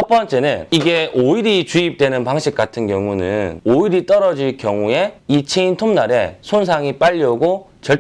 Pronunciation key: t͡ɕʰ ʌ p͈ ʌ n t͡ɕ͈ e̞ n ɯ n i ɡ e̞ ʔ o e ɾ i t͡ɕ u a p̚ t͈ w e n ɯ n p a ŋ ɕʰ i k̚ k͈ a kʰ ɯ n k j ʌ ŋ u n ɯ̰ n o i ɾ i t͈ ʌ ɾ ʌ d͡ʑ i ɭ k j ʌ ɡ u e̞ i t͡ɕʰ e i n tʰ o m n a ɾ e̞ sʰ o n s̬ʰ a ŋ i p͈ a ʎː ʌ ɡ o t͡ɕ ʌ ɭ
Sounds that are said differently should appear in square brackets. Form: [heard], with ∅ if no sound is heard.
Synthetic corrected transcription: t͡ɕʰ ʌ p͈ ʌ n t͡ɕ͈ e̞ n ɯ n i ɡ e̞ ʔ o [i] ɾ i t͡ɕ u [i] p̚ t͈ w e n ɯ n p a ŋ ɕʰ i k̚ k͈ a [tʰ] ɯ n k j ʌ ŋ u n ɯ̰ n o i ɾ i t͈ ʌ ɾ ʌ d͡ʑ i ɭ k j ʌ [ŋ] u e̞ i t͡ɕʰ e i n tʰ o m n a ɾ e̞ sʰ o n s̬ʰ a ŋ i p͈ a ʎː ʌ ɡ o t͡ɕ ʌ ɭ